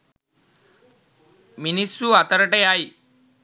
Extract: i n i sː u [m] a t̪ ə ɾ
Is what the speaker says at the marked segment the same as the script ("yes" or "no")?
no